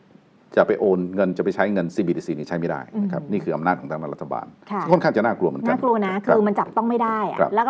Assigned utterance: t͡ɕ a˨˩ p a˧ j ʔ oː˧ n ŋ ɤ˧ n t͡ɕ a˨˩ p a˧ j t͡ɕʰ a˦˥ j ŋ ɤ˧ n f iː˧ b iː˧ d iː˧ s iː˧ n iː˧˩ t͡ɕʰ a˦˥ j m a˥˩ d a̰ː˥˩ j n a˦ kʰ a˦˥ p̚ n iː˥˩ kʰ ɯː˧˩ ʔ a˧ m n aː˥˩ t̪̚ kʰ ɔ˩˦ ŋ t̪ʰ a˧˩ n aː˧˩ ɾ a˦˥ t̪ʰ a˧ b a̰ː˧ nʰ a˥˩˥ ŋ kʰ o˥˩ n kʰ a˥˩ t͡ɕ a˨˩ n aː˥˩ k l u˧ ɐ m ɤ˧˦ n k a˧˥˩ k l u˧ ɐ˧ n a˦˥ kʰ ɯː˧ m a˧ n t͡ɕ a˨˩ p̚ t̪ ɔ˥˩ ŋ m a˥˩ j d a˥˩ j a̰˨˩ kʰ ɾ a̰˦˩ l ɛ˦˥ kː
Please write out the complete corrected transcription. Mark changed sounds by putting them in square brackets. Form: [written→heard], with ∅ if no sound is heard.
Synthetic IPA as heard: t͡ɕ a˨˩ p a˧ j ʔ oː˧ n ŋ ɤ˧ n t͡ɕ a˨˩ p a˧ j t͡ɕʰ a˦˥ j ŋ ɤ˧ n [f→s] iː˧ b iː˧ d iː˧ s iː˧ n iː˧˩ t͡ɕʰ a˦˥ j m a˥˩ d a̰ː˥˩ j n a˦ kʰ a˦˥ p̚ n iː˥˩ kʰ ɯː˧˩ ʔ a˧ m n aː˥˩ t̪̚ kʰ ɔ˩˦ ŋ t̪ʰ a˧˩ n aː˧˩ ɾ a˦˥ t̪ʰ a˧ b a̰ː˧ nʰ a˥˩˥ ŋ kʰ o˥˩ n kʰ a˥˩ t͡ɕ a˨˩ n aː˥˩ k l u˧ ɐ m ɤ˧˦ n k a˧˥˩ k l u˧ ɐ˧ n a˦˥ kʰ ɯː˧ m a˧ n t͡ɕ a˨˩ p̚ t̪ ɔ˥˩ ŋ m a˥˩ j d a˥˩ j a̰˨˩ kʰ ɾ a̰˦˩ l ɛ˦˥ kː